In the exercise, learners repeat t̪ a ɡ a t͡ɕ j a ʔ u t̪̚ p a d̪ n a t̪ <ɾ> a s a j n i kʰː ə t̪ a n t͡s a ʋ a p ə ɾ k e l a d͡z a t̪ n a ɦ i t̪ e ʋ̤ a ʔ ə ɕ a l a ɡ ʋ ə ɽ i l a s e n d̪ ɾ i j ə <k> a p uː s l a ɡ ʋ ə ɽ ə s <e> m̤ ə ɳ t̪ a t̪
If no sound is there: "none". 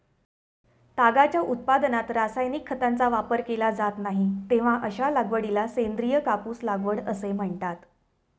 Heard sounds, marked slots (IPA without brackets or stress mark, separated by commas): ɾ, k, e